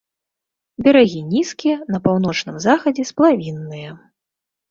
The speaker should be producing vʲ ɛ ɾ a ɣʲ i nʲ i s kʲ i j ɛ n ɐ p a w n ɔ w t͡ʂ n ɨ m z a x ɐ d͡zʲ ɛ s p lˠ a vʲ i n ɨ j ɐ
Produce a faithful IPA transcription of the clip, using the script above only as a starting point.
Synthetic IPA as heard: bʲ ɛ ɾ a ɣʲ i nʲ i s kʲ i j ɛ n ɐ p a w n ɔ t͡ʂ n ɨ m z a x ɐ d͡zʲ ɛ s p lˠ a vʲ i nː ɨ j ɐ